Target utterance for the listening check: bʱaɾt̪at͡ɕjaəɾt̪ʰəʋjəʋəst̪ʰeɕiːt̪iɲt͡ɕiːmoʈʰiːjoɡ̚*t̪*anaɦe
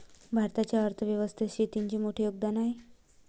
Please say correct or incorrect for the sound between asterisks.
incorrect